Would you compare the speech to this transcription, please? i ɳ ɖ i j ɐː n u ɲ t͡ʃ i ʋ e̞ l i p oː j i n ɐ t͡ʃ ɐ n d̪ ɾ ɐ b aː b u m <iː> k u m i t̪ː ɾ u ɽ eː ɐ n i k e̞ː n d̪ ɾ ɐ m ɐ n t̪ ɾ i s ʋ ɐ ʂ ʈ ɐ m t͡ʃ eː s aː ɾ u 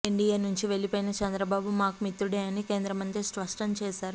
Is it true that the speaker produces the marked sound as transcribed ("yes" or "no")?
no